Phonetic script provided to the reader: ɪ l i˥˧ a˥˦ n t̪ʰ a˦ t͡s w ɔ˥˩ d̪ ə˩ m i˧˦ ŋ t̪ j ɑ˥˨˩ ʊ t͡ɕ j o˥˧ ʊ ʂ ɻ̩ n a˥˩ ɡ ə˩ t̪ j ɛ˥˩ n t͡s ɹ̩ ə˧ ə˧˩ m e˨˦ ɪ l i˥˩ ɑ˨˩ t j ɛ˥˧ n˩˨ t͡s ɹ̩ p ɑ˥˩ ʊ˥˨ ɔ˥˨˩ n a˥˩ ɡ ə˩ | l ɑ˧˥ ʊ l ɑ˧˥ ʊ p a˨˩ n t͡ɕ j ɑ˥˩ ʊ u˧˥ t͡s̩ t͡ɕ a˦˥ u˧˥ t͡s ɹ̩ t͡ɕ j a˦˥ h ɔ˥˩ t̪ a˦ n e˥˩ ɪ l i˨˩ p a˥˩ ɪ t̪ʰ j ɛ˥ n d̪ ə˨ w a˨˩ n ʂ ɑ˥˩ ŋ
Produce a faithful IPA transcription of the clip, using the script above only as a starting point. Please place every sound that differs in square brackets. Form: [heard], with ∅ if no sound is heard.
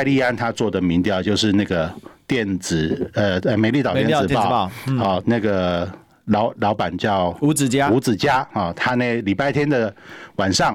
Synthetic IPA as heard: ɪ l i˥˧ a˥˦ n t̪ʰ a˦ t͡s w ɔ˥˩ d̪ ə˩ m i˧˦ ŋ t̪ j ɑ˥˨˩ ʊ t͡ɕ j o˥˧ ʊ ʂ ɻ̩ n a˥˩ ɡ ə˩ t̪ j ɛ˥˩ n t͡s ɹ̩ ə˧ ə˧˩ m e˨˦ ɪ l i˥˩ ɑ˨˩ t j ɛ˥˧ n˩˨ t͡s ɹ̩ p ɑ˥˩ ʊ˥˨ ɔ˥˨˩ n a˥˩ ɡ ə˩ | l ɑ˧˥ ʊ l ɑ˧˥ ʊ p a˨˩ n t͡ɕ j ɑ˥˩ ʊ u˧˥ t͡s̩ t͡ɕ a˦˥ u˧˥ t͡s ɹ̩ t͡ɕ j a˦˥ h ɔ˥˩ [t̪ʰ] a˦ n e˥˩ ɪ l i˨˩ p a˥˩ ɪ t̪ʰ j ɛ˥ n d̪ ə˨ w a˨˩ n ʂ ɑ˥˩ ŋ